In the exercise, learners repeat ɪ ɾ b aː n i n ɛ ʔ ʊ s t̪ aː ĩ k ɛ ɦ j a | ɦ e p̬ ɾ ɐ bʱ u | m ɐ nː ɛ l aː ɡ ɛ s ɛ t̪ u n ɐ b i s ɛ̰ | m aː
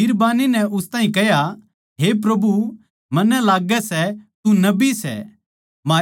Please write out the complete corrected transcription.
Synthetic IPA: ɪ ɾ b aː n i n ɛ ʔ ʊ s t̪ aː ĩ k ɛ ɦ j a | ɦ e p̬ ɾ ɐ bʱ u | m ɐ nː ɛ l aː ɡ ɛ s ɛ t̪ u n ɐ b i s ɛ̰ | m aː